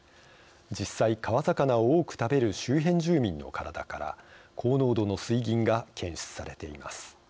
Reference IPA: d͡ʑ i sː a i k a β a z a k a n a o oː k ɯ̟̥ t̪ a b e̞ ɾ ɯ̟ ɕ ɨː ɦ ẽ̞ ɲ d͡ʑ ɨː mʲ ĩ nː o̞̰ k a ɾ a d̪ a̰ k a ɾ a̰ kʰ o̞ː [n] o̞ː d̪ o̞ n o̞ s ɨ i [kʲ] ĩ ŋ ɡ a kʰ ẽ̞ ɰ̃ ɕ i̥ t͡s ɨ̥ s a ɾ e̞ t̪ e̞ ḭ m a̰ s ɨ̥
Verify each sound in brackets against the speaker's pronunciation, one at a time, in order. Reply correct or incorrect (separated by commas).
correct, incorrect